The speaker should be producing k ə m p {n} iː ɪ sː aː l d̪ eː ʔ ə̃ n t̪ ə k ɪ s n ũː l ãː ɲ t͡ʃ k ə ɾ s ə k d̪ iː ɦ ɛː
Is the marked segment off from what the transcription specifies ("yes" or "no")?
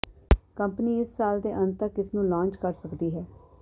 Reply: no